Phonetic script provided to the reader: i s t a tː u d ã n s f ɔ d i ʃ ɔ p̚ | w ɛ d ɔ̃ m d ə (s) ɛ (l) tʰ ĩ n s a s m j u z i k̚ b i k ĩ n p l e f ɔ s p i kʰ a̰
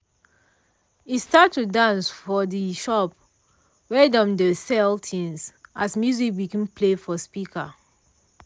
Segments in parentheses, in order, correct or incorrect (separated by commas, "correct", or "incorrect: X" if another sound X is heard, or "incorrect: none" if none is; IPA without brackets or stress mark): correct, correct